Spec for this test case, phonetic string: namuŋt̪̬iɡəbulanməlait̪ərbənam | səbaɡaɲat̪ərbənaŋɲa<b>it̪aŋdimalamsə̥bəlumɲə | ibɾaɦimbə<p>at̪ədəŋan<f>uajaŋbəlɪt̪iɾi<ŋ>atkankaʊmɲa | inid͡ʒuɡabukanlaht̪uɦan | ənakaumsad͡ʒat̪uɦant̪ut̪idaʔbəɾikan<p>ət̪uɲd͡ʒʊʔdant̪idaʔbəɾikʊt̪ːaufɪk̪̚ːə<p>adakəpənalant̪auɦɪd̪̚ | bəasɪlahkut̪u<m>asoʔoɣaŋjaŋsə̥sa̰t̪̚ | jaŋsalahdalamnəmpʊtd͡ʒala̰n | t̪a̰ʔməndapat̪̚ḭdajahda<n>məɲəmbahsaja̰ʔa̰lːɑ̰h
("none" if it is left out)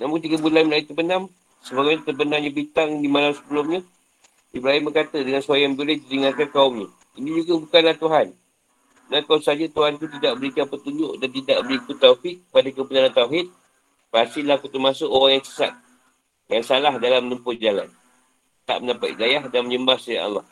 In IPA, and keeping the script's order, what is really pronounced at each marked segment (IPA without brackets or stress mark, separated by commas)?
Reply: b, k, s, ŋ, p, p, m, n